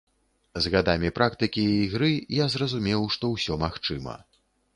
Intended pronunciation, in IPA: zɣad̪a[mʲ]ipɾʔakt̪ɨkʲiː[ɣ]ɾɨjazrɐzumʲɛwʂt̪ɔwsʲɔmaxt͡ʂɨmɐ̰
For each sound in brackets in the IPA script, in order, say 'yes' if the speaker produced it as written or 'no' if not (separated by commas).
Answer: yes, yes